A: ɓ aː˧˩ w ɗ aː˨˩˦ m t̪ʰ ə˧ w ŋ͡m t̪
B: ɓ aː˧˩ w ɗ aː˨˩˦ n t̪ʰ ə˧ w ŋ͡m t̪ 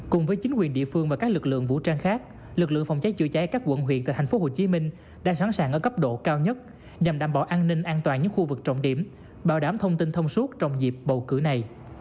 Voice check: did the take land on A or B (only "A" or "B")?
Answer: A